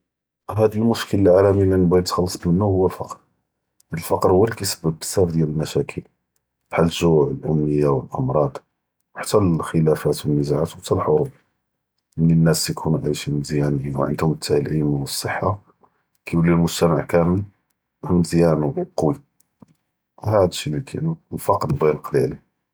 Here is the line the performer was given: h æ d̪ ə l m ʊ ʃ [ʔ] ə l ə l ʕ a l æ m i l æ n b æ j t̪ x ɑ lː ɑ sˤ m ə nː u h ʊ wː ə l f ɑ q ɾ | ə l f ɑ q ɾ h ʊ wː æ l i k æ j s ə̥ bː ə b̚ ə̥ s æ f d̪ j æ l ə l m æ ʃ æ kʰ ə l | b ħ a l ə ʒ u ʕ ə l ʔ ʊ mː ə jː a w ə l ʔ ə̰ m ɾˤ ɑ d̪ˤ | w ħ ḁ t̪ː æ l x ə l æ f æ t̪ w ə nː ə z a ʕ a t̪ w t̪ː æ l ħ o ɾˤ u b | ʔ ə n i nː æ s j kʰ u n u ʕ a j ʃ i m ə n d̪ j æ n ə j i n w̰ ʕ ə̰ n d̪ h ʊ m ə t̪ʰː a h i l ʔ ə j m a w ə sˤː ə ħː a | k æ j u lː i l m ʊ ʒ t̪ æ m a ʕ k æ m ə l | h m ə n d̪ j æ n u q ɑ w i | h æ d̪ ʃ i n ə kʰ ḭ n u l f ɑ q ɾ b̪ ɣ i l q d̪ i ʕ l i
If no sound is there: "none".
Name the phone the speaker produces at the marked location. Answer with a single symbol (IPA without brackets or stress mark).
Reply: k